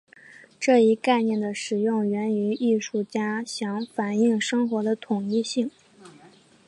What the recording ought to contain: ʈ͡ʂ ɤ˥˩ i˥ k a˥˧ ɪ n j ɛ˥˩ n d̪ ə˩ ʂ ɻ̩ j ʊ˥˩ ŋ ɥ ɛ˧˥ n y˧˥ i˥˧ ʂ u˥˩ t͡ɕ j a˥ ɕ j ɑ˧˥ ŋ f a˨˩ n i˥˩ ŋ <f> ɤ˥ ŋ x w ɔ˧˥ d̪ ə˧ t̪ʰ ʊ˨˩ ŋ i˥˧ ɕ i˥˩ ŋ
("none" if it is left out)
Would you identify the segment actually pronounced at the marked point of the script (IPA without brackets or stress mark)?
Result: ʂ